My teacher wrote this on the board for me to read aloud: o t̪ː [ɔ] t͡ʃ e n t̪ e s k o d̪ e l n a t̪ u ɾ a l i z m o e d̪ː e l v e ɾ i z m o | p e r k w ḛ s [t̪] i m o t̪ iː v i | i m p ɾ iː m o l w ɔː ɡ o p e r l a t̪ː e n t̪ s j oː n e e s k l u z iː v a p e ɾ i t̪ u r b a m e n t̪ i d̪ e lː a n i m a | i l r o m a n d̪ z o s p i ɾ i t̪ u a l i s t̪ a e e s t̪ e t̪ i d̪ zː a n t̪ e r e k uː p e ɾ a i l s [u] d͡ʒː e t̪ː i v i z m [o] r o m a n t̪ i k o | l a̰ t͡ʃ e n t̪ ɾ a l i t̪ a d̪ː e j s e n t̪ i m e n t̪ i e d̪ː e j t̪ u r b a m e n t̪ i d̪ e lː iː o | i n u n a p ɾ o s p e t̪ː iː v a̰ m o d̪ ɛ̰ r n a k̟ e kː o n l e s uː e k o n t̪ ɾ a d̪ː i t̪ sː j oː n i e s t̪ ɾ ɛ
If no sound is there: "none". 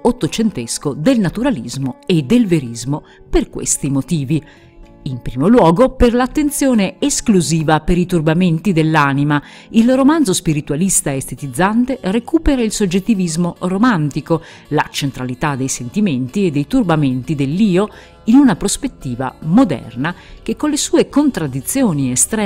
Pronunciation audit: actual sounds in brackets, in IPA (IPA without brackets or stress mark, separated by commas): o, t̪, o, o